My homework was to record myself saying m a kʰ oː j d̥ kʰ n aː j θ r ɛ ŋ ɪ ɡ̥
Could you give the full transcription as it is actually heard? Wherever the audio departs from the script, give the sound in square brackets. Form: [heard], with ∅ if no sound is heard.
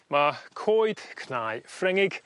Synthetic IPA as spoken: m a kʰ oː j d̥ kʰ n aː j [f] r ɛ ŋ ɪ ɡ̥